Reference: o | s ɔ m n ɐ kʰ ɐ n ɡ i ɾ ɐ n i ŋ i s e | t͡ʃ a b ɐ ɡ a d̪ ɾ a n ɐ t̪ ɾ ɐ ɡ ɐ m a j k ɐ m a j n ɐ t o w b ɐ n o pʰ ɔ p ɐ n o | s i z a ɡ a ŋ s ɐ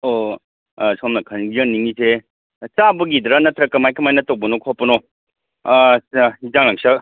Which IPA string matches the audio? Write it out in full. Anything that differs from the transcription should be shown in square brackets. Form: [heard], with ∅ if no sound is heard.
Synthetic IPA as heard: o | s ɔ m n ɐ kʰ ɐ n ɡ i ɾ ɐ n i ŋ i s e | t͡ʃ a b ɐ ɡ [i] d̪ ɾ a n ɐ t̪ ɾ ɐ [k] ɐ m a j k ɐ m a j n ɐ t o w b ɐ n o [kʰ] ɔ p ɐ n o | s i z a [ŋ] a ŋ s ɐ